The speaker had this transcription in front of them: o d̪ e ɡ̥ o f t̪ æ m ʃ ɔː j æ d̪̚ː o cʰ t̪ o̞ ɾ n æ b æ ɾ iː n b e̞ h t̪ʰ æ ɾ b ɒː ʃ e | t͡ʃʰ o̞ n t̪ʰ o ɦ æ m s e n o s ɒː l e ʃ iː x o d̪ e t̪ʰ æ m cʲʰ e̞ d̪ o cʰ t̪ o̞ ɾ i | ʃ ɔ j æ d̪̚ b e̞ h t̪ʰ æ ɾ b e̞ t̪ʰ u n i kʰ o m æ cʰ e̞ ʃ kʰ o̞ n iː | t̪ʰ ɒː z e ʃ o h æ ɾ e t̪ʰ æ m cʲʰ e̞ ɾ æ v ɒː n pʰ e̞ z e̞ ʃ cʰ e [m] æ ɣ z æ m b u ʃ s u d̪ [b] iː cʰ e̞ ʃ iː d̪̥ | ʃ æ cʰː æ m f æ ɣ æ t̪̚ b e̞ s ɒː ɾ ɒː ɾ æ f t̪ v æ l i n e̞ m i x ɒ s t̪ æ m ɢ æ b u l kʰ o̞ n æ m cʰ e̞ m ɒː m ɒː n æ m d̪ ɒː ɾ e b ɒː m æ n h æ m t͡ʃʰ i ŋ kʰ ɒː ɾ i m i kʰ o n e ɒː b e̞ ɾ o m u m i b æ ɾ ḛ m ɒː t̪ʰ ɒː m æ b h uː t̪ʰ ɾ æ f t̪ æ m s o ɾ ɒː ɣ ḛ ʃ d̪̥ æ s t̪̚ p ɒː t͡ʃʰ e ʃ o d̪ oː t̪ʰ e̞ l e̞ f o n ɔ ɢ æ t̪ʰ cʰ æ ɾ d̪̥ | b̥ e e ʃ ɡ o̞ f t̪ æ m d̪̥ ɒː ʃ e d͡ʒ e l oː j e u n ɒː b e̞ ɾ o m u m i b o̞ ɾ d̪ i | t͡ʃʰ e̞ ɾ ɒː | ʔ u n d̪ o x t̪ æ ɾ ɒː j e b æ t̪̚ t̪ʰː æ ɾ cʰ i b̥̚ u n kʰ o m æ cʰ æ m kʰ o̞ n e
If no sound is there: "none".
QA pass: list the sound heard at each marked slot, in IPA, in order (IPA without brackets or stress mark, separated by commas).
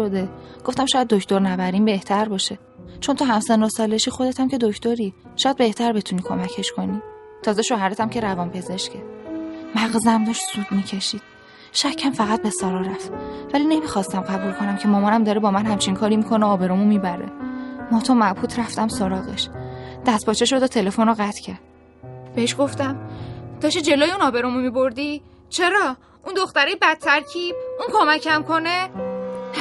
m, m